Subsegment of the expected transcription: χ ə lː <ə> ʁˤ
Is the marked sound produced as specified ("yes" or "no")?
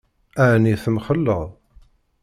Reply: yes